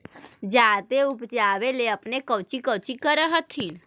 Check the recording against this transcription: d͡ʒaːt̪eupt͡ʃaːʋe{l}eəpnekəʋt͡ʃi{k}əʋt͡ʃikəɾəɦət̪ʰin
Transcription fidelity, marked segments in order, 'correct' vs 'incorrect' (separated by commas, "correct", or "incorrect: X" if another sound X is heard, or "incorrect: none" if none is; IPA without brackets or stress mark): correct, correct